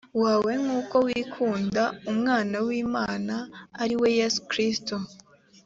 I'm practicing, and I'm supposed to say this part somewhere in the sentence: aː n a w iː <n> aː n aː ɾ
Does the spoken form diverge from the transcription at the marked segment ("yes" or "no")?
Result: yes